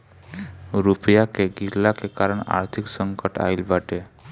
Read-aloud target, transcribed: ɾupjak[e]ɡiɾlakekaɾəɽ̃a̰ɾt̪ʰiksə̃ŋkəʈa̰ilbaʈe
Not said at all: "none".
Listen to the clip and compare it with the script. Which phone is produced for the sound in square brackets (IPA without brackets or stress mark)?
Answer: e